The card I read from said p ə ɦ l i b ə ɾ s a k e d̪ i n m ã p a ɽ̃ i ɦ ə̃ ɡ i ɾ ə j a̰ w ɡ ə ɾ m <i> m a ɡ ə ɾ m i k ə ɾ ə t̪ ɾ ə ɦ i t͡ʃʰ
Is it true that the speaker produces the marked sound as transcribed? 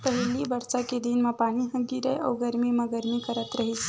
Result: yes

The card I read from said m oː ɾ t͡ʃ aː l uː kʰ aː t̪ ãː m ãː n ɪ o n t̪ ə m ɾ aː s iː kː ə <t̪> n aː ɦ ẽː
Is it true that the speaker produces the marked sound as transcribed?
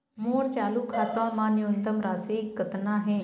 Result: yes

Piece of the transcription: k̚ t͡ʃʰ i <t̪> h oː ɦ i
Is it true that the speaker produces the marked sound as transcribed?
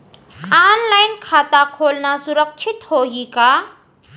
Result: yes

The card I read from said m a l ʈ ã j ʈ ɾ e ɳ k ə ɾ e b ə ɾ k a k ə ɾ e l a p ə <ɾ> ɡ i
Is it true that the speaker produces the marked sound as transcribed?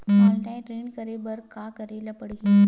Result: no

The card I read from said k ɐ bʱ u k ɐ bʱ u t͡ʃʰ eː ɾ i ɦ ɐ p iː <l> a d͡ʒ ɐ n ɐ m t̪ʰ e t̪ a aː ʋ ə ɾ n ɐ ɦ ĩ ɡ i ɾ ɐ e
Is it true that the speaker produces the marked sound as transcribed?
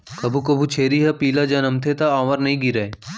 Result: yes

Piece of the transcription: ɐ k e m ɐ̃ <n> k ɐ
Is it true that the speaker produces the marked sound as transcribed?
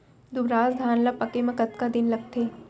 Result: no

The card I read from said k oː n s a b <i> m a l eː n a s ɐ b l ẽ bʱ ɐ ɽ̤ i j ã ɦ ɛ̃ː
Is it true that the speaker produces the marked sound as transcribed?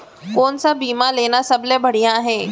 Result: no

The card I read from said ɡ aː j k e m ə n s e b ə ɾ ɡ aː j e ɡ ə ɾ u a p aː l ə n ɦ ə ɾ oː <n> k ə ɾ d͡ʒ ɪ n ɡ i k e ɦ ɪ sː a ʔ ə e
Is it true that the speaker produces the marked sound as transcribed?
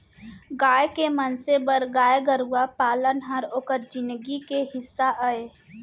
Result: no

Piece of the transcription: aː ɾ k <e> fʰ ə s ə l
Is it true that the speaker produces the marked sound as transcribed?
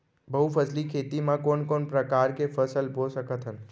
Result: yes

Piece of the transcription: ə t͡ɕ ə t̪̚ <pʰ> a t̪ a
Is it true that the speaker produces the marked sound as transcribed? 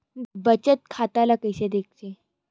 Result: no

